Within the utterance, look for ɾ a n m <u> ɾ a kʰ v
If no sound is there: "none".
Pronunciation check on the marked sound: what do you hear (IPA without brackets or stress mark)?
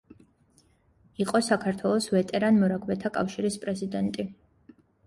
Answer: ɔ